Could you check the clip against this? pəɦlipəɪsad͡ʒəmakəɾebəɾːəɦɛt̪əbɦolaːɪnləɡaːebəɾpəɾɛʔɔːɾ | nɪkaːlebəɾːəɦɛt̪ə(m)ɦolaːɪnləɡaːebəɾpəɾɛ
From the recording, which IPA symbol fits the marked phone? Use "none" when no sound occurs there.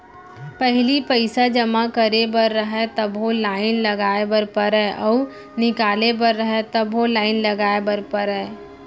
b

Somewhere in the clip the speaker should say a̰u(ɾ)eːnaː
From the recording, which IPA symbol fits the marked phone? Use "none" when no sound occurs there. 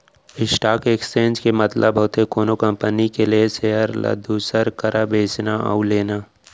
l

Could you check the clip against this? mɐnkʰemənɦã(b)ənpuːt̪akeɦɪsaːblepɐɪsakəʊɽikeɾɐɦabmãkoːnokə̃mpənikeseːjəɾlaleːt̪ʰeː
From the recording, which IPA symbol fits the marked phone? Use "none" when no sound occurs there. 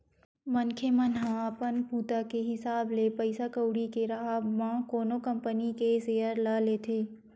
p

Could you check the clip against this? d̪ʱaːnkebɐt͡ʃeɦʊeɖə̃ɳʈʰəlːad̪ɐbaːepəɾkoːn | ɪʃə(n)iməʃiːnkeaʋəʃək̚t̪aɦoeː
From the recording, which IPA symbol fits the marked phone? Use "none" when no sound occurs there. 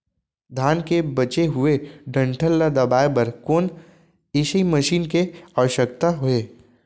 none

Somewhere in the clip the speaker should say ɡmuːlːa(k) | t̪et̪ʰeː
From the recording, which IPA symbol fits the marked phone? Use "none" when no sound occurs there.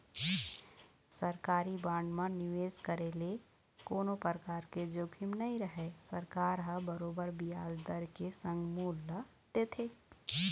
none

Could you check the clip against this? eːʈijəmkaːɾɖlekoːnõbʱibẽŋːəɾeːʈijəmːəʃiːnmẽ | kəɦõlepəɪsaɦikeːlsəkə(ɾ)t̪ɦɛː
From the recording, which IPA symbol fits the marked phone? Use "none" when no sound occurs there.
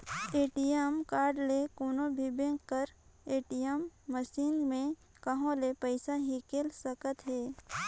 none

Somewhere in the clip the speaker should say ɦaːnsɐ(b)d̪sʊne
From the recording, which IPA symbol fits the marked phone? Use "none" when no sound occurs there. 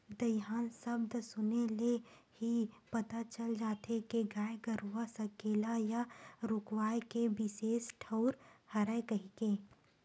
b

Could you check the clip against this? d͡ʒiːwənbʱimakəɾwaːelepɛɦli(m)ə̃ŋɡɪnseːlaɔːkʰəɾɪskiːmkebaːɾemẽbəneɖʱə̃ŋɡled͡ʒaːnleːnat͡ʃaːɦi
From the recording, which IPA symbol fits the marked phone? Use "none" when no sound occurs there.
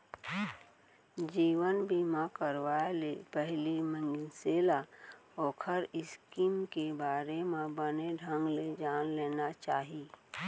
m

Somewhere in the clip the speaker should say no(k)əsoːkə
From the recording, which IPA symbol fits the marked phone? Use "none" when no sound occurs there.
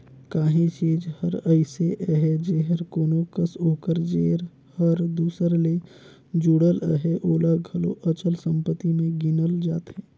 k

